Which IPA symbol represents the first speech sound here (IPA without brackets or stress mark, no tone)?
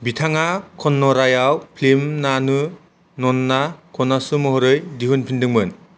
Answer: b